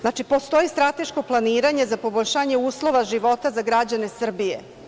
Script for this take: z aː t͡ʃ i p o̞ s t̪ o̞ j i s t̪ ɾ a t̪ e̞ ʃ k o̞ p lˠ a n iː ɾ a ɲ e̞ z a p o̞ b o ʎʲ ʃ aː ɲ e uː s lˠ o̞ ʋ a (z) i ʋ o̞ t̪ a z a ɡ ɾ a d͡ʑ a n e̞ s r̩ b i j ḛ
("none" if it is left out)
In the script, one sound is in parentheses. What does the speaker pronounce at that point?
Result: ʒ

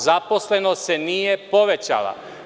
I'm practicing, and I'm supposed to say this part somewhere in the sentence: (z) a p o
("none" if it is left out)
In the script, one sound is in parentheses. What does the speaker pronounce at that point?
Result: z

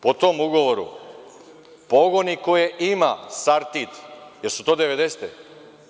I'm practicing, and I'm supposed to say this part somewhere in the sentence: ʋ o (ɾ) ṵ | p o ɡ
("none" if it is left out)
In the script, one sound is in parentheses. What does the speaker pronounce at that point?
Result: ɾ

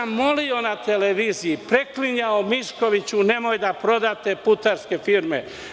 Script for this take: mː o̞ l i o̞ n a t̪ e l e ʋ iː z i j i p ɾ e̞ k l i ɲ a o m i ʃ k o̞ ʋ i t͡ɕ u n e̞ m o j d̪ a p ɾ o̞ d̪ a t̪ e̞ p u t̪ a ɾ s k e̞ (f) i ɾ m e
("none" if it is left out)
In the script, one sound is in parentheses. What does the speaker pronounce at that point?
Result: f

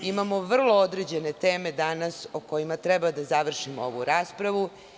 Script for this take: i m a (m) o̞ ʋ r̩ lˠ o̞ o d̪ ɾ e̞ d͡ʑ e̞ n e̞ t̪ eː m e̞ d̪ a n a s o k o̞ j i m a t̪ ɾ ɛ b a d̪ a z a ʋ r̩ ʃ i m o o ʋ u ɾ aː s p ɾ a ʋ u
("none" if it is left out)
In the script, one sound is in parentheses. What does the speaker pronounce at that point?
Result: m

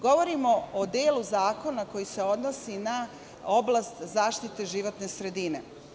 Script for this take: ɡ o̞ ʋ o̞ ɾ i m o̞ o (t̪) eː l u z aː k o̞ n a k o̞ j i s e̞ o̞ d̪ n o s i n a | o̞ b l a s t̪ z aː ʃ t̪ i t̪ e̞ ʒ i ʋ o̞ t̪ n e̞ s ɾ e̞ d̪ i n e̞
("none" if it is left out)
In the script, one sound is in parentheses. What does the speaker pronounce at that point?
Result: d̪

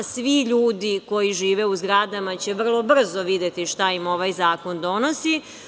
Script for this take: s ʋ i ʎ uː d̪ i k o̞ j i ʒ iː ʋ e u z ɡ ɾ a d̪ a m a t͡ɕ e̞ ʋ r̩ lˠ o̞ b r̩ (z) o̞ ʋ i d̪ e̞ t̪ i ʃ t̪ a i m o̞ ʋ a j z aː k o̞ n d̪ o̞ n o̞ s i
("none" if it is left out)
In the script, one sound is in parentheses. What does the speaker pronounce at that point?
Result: z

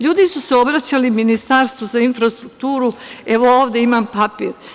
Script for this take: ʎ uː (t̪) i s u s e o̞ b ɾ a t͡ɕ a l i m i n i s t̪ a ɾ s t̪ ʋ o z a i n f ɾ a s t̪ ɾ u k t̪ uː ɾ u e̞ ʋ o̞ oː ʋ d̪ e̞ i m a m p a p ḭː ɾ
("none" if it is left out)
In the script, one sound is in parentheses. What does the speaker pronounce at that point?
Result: d̪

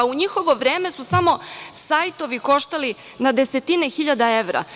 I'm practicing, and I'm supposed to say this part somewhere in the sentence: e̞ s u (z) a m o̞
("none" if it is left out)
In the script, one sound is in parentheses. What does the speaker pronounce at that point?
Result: s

